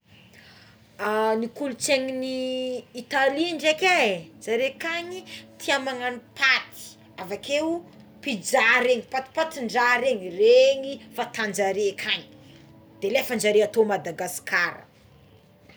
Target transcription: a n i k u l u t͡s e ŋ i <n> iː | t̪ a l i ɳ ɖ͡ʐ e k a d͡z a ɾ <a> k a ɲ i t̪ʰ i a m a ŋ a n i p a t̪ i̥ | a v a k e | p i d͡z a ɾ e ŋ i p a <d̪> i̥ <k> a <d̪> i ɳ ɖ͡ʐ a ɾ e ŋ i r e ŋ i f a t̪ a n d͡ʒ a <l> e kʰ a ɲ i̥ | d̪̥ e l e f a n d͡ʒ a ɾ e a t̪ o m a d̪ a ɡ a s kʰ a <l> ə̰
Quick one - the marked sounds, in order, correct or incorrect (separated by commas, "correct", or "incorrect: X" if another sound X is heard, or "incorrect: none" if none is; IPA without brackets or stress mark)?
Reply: correct, incorrect: e, incorrect: t̪, incorrect: p, incorrect: t̪, incorrect: ɾ, incorrect: ɾ